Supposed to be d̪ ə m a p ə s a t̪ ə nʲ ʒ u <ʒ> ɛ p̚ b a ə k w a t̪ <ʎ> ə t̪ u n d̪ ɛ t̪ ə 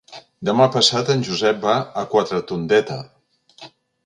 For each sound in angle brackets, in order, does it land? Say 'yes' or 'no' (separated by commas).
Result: no, no